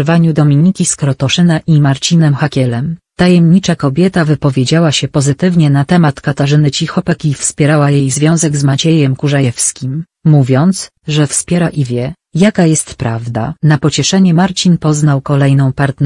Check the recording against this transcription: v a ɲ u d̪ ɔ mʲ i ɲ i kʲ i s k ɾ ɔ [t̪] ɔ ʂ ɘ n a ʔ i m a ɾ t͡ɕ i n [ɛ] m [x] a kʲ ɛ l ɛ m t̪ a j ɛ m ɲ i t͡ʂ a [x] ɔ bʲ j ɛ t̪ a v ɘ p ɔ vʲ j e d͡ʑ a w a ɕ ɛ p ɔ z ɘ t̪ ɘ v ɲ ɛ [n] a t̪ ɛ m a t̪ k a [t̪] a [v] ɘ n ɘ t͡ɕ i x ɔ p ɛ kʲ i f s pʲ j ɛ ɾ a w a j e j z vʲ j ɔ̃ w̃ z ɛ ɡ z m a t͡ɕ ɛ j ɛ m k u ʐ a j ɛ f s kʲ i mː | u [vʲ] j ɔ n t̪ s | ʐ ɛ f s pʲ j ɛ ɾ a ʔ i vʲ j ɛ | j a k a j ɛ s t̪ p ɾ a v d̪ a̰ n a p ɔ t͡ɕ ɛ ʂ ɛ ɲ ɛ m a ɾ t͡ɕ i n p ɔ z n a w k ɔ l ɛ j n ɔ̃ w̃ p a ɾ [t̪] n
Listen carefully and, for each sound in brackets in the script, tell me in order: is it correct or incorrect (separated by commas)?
correct, correct, correct, incorrect, correct, correct, incorrect, correct, correct